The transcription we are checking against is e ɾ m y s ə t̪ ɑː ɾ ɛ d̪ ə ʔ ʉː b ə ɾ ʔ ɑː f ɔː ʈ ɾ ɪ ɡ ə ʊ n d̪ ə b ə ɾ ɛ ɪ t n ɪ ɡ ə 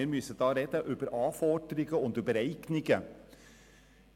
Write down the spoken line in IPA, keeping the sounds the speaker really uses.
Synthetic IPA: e ɾ m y s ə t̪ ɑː ɾ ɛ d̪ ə ʔ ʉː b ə ɾ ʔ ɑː f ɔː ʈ ɾ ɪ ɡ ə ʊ n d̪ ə b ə ɾ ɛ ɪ k n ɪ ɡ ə